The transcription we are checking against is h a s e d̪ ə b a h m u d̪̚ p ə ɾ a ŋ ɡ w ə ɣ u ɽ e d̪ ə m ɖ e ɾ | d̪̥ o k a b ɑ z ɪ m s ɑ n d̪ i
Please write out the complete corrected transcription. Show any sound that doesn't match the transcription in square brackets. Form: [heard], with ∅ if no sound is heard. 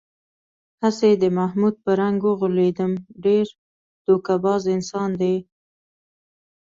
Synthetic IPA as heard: h a s e d̪ ə [m] a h m u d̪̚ p ə ɾ a ŋ ɡ w ə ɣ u [l] e d̪ ə m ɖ e ɾ | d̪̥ o k a b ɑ z ɪ [n] s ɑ n d̪ [e]